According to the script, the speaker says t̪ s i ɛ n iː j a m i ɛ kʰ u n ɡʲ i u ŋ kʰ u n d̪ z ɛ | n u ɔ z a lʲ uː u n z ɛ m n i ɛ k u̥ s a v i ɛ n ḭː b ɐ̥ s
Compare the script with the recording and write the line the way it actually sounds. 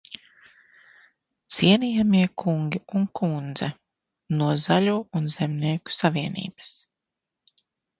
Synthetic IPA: t̪ s i ɛ n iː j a m i ɛ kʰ u ŋ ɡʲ i u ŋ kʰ u n d̪ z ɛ | n u ɔ z a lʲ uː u n z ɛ m n i ɛ k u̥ s a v i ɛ n ḭː b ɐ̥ s